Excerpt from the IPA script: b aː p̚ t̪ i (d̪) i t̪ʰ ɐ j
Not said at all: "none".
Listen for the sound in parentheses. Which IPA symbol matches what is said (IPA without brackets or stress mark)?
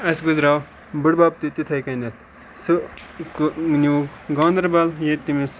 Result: t̪